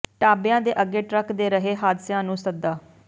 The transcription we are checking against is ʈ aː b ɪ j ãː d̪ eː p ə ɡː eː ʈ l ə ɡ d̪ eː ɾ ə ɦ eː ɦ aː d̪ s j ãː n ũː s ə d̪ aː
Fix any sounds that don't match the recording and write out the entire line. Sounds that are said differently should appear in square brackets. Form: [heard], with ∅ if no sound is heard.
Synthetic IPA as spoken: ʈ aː b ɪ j ãː d̪ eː [ʔ] ə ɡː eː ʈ [ɾ] ə [k] d̪ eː ɾ ə ɦ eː ɦ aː d̪ s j ãː n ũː s ə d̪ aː

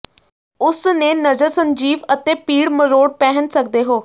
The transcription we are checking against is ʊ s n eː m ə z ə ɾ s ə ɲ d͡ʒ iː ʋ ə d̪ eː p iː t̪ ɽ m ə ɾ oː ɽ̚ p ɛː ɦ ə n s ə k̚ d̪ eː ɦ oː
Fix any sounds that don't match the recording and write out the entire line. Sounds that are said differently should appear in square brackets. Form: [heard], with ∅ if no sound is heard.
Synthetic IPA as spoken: ʊ s n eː [n] ə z ə ɾ s ə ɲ d͡ʒ iː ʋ ə [t̪] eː p iː [∅] ɽ m ə ɾ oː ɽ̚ p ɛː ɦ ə n s ə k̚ d̪ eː ɦ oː

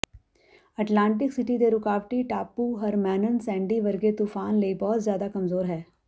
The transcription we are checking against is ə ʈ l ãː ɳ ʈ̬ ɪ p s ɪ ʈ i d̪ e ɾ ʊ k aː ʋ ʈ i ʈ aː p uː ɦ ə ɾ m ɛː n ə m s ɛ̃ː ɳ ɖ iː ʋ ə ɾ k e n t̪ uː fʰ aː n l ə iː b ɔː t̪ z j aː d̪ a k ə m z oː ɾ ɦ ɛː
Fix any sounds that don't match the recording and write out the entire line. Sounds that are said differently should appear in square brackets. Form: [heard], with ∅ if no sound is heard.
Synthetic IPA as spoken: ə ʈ l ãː ɳ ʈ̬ ɪ [k] s ɪ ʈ i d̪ e ɾ ʊ k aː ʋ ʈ i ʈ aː p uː ɦ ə ɾ m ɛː n ə [n] s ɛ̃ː ɳ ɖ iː ʋ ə ɾ [ɡ] e [∅] t̪ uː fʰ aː n l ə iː b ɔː t̪ z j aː d̪ a k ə m z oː ɾ ɦ ɛː

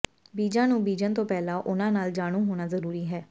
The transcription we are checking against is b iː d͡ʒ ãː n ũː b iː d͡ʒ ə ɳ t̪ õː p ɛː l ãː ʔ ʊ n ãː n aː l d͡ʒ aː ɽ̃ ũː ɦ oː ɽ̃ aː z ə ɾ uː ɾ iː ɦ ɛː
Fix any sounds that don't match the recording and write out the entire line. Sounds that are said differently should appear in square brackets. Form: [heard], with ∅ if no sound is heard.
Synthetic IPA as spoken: b iː d͡ʒ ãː n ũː b iː d͡ʒ ə [n] t̪ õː p ɛː l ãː ʔ ʊ n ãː n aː l d͡ʒ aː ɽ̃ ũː ɦ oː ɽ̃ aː z ə ɾ uː ɾ iː ɦ ɛː

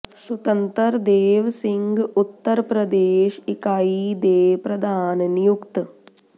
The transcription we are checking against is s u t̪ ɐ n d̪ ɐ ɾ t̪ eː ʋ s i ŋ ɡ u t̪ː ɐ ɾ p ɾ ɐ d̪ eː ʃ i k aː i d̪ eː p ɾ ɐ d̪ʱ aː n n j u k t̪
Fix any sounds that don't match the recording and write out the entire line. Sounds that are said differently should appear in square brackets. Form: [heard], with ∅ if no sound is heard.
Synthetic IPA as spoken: s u t̪ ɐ n [t̪] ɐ ɾ [d̪] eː ʋ s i ŋ ɡ u t̪ː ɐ ɾ p ɾ ɐ d̪ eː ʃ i k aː i d̪ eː p ɾ ɐ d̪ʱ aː n n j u k t̪

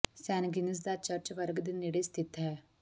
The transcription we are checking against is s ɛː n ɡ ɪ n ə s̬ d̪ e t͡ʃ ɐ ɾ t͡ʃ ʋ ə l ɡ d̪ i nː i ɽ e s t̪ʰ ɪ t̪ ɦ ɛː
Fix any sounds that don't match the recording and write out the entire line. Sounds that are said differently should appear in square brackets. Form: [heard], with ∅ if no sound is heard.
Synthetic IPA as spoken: s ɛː n ɡ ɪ n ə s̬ d̪ [a] t͡ʃ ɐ ɾ t͡ʃ ʋ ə [ɾ] ɡ d̪ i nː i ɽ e s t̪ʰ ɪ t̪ ɦ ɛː

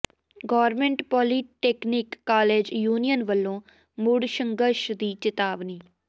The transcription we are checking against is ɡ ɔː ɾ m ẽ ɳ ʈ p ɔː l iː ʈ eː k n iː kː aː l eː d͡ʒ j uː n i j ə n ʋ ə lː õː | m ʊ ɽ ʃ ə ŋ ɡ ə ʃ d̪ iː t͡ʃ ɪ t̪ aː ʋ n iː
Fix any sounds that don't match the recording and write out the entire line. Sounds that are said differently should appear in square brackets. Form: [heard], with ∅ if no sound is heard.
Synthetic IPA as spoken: ɡ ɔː ɾ m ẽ ɳ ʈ p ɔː l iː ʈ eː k n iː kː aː l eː d͡ʒ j uː n i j ə n ʋ ə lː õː | m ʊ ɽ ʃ ə ŋ ɡ ə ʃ d̪ iː t͡ʃ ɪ t̪ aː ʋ n iː

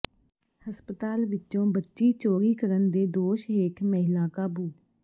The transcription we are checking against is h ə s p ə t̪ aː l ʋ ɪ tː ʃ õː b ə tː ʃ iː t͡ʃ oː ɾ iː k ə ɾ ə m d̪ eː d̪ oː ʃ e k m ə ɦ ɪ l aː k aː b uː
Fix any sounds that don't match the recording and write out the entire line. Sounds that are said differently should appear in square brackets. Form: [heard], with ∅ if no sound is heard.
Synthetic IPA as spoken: h ə s p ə t̪ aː l ʋ ɪ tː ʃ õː b ə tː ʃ iː t͡ʃ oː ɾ iː k ə ɾ ə [n] d̪ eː d̪ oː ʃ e k m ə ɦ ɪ l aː k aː b uː

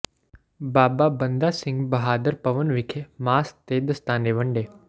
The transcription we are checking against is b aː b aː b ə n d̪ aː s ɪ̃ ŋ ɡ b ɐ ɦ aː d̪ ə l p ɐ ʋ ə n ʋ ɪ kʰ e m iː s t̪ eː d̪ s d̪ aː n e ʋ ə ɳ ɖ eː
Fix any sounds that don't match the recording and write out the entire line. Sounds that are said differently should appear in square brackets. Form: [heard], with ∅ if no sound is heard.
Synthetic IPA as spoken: b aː b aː b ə n d̪ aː s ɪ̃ ŋ ɡ b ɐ ɦ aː d̪ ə [ɾ] p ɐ ʋ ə n ʋ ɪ kʰ e m [aː] s t̪ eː d̪ s [t̪] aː n e ʋ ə ɳ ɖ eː

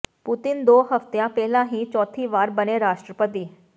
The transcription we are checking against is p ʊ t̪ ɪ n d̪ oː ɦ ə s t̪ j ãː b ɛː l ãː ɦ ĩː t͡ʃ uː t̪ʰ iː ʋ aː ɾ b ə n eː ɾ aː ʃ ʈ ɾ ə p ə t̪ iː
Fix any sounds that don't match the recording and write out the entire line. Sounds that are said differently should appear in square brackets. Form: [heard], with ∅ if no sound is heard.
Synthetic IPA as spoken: p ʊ t̪ ɪ n d̪ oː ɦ ə [f] t̪ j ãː [p] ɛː l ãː ɦ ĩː t͡ʃ [ɔː] t̪ʰ iː ʋ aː ɾ b ə n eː ɾ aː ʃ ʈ ɾ ə p ə t̪ iː

